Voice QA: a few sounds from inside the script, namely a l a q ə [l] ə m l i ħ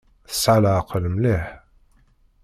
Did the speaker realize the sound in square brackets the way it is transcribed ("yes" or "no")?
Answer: yes